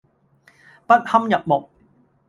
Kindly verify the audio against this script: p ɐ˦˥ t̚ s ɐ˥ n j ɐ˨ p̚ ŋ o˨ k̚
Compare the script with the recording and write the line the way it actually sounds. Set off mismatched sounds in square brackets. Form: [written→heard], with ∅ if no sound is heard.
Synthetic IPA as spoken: p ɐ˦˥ t̚ [s→h] ɐ˥ [n→m] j ɐ˨ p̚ [ŋ→m] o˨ k̚